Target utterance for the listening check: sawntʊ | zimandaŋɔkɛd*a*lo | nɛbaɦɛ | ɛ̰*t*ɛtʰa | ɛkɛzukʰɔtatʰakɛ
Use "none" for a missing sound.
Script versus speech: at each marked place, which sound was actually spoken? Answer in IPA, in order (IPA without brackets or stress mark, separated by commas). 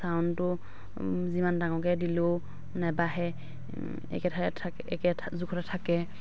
i, k